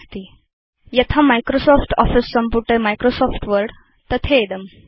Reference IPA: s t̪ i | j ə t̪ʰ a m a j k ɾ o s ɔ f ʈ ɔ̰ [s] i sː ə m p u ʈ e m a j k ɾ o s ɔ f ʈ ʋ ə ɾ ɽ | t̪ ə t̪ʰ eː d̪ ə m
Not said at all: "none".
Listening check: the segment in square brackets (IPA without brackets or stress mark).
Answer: f